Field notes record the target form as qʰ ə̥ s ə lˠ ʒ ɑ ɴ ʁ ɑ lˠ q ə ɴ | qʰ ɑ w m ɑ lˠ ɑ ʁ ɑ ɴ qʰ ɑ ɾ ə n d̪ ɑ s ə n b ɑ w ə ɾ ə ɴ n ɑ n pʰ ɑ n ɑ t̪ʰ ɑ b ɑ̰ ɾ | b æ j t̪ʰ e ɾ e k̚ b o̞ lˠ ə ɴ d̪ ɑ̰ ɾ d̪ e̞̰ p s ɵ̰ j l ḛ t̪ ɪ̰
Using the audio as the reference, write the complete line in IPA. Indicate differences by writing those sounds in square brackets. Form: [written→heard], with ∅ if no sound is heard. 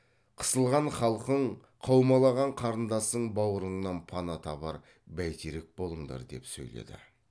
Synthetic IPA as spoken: qʰ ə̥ s ə lˠ [ʒ→ʁ] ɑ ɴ [ʁ→χ] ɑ lˠ q ə ɴ | qʰ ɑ w m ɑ lˠ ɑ ʁ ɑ ɴ qʰ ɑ ɾ ə n d̪ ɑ s ə [n→ɴ] b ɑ w ə ɾ ə ɴ n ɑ n pʰ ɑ n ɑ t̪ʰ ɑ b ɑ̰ ɾ | b æ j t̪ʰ e ɾ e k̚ b o̞ lˠ ə ɴ d̪ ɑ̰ ɾ d̪ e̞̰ p s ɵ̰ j l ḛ [t̪→d̪] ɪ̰